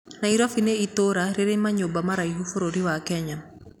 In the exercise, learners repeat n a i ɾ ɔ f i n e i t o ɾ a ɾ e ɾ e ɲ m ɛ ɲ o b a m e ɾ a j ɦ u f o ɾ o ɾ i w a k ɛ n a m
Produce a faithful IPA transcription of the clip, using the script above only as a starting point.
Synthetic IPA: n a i ɾ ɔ f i n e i t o ɾ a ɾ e ɾ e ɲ m a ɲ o b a m a ɾ a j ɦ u f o ɾ o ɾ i w a k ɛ ɲ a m